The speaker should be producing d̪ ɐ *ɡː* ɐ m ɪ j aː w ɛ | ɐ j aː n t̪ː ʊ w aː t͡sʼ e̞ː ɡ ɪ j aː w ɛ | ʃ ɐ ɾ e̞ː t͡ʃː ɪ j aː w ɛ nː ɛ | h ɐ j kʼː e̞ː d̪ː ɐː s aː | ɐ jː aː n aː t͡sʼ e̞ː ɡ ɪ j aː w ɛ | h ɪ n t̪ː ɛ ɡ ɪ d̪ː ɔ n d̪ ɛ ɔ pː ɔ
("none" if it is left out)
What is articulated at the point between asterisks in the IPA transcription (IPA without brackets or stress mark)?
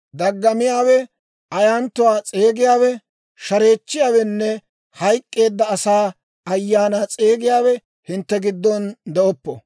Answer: ɡː